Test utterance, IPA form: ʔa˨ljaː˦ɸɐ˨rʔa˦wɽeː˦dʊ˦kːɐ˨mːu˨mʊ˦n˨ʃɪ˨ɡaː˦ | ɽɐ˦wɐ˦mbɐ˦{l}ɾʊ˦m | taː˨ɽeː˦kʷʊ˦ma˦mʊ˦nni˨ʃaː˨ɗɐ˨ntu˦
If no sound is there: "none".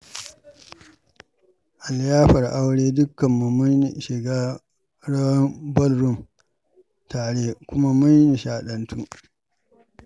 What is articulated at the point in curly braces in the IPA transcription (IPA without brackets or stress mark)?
l